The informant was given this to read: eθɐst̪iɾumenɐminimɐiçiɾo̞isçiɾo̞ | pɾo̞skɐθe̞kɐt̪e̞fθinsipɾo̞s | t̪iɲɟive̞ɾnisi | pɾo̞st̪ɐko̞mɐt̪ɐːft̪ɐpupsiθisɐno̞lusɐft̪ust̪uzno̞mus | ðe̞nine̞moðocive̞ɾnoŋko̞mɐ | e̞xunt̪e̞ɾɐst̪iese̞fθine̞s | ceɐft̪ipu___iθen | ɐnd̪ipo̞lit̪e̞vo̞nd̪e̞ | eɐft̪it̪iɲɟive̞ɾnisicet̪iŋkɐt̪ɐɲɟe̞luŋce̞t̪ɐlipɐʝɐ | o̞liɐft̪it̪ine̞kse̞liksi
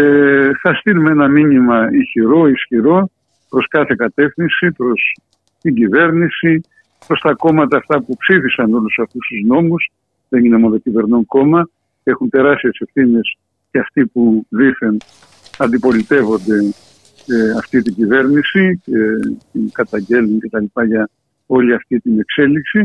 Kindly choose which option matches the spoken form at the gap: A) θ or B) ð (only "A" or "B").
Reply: B